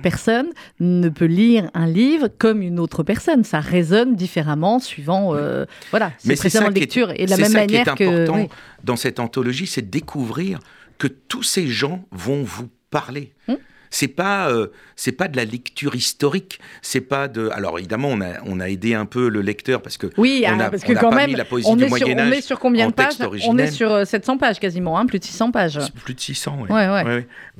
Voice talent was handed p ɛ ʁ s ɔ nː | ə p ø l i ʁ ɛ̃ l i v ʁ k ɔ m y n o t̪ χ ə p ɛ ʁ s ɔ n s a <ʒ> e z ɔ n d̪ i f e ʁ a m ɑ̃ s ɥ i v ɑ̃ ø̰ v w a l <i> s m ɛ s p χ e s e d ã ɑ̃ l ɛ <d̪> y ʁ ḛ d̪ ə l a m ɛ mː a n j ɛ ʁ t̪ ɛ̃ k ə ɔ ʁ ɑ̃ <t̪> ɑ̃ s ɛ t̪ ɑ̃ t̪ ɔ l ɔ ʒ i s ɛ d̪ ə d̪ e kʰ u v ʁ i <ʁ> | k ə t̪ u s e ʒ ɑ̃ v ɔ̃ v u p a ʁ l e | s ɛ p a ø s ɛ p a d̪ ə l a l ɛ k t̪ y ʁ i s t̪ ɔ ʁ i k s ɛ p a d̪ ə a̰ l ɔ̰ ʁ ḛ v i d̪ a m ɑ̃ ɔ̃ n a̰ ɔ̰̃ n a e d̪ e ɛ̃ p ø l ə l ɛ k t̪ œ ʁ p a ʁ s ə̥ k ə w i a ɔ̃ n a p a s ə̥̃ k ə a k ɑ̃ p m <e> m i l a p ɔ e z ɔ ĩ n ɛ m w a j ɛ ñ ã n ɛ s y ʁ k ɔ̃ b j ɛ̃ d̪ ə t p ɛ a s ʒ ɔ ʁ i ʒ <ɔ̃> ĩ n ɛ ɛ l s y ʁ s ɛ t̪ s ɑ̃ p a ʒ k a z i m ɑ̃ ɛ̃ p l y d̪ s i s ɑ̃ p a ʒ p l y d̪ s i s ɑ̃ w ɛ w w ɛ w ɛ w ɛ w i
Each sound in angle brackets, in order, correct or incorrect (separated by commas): incorrect, incorrect, incorrect, incorrect, correct, incorrect, incorrect